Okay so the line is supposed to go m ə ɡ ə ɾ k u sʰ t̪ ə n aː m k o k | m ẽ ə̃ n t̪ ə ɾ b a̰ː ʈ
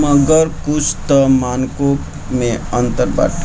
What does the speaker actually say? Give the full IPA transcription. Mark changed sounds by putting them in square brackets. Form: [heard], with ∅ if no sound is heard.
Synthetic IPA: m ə ɡ ə ɾ k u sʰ t̪ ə [m] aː [n] k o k | m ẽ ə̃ n t̪ ə ɾ b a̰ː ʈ